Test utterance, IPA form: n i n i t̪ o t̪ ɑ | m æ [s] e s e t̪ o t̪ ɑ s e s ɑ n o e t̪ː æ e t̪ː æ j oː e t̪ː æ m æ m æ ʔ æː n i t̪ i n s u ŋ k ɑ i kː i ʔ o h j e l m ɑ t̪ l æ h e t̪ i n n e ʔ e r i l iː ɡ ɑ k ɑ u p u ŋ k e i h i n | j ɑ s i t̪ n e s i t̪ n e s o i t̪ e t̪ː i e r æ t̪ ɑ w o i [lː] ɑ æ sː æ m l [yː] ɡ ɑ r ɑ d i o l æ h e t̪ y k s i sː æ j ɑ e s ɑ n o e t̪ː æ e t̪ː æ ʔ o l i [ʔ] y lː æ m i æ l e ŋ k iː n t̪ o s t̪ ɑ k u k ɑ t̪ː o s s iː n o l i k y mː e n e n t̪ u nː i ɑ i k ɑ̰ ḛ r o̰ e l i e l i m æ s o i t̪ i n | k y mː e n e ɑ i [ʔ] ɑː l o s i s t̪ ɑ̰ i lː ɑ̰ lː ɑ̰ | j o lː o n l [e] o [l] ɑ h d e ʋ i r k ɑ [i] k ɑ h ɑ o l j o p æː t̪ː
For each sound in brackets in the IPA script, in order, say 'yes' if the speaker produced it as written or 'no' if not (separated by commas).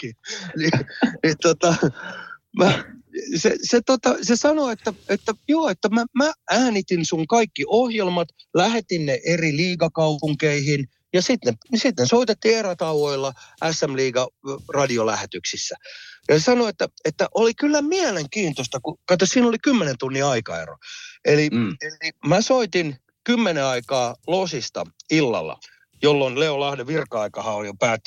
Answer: yes, yes, no, no, no, yes, yes, yes